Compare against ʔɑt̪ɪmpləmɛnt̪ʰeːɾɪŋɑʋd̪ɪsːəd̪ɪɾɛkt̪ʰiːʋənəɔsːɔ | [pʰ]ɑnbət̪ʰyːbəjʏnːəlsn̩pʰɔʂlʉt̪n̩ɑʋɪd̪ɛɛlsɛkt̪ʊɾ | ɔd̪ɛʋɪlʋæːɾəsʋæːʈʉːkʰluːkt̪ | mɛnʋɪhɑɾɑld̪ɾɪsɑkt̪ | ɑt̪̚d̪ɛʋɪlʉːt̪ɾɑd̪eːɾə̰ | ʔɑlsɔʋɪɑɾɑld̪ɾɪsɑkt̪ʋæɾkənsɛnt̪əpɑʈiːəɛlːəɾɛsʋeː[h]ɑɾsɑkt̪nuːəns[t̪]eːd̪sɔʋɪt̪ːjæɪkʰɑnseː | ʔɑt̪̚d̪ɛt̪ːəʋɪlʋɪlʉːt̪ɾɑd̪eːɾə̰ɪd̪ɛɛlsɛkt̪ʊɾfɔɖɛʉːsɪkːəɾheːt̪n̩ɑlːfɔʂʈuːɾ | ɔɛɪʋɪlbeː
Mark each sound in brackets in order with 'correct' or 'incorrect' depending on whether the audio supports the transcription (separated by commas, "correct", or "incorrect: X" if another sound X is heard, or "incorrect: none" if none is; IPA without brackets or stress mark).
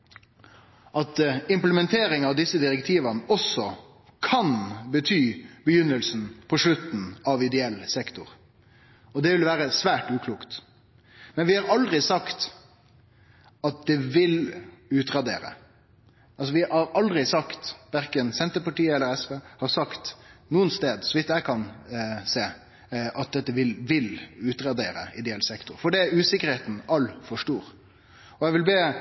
incorrect: kʰ, correct, correct